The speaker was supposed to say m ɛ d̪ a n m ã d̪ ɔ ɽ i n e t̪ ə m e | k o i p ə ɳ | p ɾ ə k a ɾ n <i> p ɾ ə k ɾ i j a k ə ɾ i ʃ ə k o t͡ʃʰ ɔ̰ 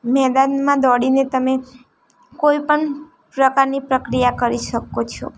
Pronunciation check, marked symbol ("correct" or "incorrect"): correct